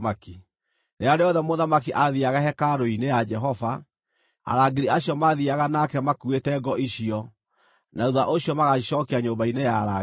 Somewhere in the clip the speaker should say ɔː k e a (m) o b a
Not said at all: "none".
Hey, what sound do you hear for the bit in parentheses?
ɲ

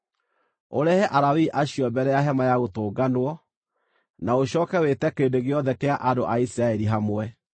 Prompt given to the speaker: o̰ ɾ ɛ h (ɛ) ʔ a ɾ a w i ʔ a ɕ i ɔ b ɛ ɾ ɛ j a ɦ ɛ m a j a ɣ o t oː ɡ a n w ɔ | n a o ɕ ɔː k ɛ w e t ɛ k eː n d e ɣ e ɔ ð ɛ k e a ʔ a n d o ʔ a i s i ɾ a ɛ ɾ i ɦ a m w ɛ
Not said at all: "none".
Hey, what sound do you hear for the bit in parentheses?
ɛ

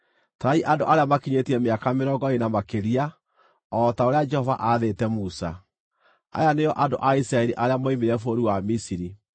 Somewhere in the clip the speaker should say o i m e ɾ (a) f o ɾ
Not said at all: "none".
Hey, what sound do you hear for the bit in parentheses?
ɛ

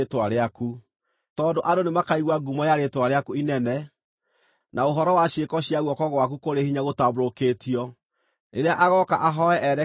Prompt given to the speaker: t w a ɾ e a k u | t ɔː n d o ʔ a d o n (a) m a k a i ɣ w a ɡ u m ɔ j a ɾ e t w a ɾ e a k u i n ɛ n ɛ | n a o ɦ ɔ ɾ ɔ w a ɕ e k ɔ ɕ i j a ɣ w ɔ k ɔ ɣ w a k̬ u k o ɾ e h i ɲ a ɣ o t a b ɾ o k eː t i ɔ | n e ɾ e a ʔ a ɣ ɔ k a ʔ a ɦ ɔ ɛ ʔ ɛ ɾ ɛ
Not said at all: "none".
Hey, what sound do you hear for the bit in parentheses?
e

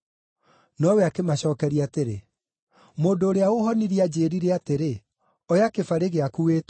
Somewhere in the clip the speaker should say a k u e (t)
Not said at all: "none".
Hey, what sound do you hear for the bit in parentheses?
t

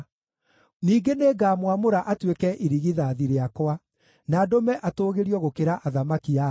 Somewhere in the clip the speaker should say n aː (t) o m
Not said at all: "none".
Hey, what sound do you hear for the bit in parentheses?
d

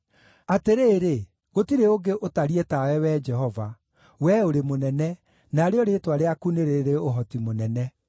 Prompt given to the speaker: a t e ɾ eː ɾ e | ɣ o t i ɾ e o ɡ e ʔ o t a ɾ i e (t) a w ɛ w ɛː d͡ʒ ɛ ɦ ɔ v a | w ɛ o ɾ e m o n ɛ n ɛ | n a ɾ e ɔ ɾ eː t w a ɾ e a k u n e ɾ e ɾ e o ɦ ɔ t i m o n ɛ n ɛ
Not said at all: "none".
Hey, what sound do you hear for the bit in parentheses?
t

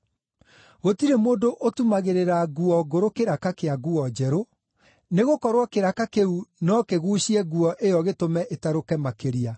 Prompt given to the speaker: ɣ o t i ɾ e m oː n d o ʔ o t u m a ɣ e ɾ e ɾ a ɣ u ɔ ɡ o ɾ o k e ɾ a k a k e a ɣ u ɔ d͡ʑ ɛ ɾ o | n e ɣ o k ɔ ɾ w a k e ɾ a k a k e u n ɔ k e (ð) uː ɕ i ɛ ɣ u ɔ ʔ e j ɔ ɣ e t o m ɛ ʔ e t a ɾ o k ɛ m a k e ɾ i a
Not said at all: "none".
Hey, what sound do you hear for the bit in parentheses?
ɣ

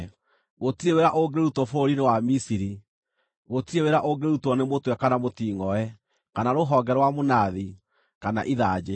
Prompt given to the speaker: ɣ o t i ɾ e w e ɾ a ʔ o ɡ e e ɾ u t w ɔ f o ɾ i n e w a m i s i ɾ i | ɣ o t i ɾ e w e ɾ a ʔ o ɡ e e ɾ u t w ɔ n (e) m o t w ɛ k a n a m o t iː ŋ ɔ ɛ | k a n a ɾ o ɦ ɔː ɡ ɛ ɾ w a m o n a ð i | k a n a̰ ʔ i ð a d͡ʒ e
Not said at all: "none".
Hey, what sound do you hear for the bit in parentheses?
e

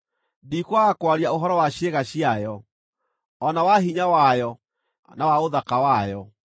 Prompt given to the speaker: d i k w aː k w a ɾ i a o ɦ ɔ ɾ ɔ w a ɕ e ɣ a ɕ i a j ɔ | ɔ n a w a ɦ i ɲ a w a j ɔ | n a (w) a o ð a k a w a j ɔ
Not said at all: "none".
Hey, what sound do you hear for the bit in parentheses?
w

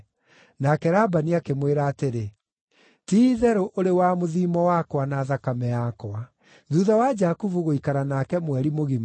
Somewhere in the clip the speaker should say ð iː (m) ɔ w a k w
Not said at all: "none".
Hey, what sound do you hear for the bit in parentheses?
m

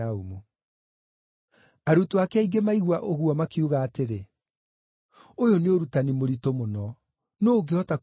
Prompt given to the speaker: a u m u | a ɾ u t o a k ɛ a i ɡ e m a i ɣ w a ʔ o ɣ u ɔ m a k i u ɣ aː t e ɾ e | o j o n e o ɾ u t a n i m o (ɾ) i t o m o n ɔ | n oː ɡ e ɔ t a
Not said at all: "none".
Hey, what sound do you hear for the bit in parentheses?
ɾ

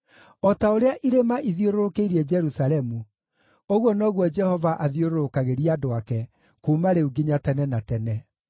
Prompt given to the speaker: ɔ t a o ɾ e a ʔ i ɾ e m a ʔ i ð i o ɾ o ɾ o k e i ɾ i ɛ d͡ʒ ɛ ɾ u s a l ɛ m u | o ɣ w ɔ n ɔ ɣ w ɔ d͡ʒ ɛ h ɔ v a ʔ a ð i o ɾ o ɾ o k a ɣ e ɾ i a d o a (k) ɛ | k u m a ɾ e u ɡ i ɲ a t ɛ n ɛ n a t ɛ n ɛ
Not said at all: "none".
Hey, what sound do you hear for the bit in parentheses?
k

